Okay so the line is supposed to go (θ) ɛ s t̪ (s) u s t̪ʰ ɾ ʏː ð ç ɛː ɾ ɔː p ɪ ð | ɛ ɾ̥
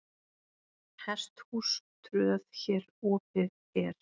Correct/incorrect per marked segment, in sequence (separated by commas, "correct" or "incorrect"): incorrect, incorrect